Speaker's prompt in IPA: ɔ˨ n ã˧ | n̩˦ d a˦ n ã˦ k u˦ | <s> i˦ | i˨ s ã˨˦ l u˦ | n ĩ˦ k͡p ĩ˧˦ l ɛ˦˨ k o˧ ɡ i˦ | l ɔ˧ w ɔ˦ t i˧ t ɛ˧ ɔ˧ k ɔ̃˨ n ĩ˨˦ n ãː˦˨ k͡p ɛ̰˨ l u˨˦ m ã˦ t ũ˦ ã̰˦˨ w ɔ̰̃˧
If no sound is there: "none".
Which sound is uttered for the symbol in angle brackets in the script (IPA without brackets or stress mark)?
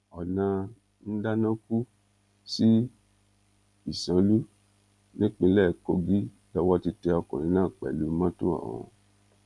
s